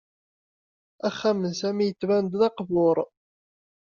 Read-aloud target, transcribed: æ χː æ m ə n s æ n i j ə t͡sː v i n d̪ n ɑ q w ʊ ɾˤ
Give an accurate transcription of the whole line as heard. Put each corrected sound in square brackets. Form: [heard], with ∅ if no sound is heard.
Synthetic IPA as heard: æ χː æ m ə n s æ [m] i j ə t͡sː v [æ] n d̪ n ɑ q [v] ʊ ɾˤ